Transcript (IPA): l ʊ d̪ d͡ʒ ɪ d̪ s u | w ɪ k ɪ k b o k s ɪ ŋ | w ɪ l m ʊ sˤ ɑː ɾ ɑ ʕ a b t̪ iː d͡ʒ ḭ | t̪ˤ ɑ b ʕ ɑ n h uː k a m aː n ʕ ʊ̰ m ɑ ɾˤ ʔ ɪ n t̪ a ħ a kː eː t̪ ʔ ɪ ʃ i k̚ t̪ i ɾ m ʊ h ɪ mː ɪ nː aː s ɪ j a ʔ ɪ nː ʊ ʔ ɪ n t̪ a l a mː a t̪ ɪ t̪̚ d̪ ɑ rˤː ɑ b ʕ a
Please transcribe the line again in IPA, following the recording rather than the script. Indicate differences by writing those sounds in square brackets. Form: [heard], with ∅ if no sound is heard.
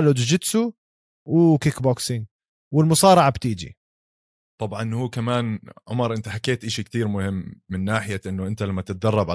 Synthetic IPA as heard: l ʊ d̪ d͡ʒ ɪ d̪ s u | w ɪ k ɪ k b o k s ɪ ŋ | w ɪ l m ʊ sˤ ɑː ɾ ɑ ʕ a b t̪ iː d͡ʒ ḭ | t̪ˤ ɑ b ʕ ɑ n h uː k a m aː n ʕ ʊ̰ m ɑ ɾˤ ʔ ɪ n t̪ a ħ a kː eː t̪ ʔ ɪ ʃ i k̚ t̪ [iː] ɾ m ʊ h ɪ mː ɪ nː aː [ħ] ɪ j a ʔ ɪ nː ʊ ʔ ɪ n t̪ a l a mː a t̪ ɪ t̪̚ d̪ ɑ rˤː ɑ b ʕ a